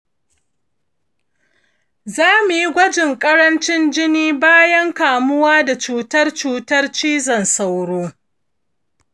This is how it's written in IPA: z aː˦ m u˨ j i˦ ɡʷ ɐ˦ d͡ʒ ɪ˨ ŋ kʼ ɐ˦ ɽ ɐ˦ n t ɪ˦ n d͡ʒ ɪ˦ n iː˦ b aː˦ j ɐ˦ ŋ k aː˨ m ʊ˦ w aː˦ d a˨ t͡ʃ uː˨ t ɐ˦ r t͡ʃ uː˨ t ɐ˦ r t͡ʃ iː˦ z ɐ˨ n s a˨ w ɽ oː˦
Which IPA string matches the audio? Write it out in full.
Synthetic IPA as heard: z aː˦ m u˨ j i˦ ɡʷ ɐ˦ d͡ʒ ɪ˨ ŋ kʼ ɐ˦ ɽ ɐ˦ n t͡ʃ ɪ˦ n d͡ʒ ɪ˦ n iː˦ b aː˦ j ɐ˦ ŋ k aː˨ m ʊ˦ w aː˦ d a˨ t͡ʃ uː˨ t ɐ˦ r t͡ʃ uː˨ t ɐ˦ r t͡ʃ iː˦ z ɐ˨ n s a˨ w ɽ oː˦